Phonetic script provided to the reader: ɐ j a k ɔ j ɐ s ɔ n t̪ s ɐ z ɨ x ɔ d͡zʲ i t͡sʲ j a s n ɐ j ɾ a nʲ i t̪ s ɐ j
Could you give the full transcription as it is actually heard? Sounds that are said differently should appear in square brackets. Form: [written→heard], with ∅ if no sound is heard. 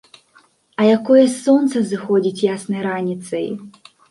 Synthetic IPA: ɐ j a k ɔ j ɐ s ɔ n t̪ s ɐ z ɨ x ɔ d͡zʲ i t͡sʲ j a s n ɐ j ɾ a nʲ i t̪ s ɐ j